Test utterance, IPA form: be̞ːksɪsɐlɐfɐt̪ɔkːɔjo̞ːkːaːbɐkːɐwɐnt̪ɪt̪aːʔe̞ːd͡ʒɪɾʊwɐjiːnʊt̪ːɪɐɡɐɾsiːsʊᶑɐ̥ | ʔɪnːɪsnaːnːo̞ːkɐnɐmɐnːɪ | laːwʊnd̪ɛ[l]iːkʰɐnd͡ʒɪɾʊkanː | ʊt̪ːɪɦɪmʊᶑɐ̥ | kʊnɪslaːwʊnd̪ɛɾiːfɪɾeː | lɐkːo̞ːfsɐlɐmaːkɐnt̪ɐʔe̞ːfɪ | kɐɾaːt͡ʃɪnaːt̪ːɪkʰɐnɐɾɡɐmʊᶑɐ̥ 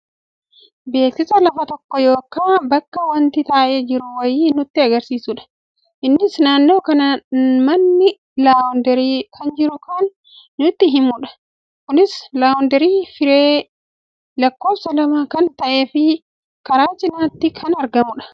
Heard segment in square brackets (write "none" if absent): ɾ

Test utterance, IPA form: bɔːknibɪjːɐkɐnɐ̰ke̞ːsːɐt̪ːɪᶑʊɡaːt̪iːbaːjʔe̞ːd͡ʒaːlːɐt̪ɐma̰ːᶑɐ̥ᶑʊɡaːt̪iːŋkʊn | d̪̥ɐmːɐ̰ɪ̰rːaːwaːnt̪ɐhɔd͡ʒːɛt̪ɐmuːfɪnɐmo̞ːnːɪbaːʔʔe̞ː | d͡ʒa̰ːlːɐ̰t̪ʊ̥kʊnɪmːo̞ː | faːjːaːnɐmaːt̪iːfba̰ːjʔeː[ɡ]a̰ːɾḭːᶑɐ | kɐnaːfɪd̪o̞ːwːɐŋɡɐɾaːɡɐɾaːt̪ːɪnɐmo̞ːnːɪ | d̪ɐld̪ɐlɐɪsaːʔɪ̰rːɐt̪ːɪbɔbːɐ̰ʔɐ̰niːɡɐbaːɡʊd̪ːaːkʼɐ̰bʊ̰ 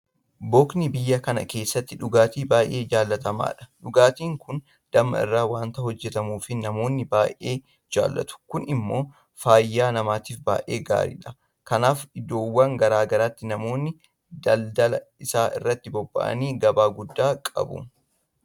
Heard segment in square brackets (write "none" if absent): ɡ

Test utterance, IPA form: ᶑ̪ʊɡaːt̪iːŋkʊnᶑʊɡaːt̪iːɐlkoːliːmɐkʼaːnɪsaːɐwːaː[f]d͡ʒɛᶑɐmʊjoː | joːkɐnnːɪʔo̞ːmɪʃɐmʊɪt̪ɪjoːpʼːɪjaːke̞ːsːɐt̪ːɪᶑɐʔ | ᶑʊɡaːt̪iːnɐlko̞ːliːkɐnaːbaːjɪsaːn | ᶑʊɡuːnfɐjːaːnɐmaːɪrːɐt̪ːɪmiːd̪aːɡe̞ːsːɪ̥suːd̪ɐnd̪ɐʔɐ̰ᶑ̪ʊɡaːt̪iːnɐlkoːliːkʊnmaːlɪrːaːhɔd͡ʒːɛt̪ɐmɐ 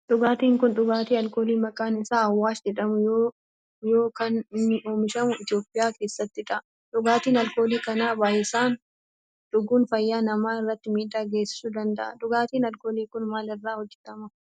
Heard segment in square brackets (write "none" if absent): s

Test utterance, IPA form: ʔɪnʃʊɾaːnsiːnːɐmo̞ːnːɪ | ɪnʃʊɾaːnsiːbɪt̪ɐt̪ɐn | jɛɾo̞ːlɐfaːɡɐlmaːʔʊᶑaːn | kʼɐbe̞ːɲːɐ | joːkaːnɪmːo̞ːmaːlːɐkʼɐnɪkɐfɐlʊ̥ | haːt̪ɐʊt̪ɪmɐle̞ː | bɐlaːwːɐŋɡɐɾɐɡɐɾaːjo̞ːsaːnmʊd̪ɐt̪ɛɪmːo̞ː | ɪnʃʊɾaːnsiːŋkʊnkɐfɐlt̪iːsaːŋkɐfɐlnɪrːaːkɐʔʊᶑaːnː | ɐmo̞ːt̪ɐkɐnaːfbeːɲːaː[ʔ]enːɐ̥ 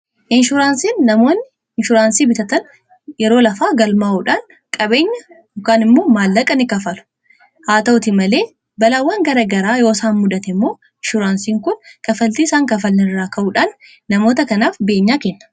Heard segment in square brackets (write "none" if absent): k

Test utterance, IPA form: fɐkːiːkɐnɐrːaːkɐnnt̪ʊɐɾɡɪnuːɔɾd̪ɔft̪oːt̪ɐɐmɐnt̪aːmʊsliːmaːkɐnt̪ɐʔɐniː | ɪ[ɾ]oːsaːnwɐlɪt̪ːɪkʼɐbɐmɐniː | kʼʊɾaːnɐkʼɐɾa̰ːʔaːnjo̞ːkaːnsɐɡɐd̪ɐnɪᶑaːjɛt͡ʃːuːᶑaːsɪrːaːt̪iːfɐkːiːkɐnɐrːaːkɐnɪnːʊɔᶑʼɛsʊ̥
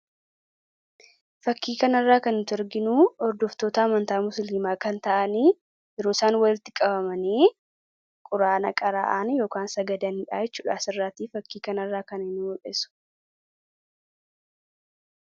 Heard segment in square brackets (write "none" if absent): ɾ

